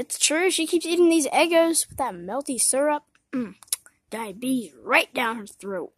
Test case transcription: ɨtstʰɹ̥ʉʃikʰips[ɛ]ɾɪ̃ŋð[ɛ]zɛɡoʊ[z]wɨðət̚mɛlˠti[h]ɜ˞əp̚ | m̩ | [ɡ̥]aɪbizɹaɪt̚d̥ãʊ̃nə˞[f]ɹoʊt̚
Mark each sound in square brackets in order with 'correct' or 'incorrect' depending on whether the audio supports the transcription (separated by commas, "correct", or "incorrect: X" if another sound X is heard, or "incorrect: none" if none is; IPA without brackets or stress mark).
incorrect: i, incorrect: i, correct, incorrect: s, incorrect: d̥, incorrect: θ